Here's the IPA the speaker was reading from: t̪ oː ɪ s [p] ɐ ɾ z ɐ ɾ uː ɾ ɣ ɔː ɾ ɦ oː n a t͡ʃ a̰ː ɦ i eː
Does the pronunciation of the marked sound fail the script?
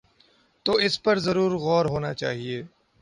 no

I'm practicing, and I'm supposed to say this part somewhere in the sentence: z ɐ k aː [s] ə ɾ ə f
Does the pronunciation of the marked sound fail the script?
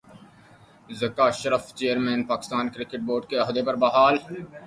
yes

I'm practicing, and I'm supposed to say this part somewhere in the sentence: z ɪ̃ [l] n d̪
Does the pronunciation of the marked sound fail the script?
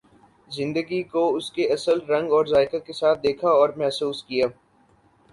yes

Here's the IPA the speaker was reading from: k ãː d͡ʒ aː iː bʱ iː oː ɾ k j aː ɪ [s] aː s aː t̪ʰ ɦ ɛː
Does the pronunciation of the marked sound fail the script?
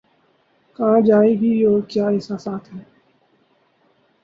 no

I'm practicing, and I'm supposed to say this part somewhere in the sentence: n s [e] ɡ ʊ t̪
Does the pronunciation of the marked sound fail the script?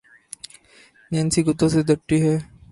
yes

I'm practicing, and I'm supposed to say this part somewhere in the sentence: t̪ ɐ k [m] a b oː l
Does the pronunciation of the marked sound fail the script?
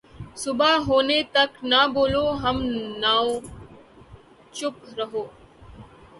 yes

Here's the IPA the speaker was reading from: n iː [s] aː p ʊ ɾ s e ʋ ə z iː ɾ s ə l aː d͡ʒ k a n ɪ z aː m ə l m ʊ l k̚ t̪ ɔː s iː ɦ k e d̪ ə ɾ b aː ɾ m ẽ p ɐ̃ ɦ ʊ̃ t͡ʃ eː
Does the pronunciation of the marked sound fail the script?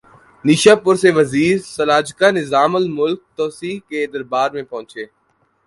yes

